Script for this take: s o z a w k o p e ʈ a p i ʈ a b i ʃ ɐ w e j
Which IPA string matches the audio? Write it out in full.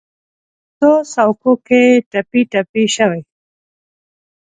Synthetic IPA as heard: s o s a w k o k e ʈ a p i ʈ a p i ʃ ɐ w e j